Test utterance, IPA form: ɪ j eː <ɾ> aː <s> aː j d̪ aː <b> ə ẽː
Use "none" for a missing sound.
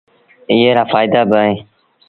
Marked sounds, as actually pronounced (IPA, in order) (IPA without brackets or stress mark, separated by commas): ɾ, f, b